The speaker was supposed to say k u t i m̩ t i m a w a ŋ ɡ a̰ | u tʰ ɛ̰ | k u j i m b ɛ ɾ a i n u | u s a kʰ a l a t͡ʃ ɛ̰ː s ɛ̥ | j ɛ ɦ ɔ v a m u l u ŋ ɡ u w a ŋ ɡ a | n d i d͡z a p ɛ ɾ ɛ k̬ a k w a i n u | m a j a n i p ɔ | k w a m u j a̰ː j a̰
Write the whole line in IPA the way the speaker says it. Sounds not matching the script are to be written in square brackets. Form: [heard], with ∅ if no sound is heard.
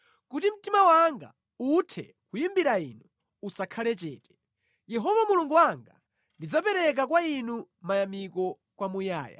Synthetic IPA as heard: k u t i m̩ t i m a w a ŋ ɡ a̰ | u tʰ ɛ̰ | k u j i m b [i] ɾ a i n u | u s a kʰ a l [ɛ] t͡ʃ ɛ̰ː [t] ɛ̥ | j ɛ ɦ ɔ v a m u l u ŋ ɡ u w a ŋ ɡ a | n d i d͡z a p ɛ ɾ ɛ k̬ a k w a i n u | m a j a [m] i [k] ɔ | k w a m u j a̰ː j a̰